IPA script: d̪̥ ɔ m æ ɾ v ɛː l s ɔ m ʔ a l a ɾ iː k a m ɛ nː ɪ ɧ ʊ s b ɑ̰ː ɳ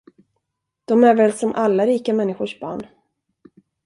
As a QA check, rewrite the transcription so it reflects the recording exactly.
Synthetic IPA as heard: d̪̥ ɔ m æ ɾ v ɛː l s ɔ m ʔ a lː a ɾ iː k a m ɛ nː ɪ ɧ ʊ ʂ b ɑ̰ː ɳ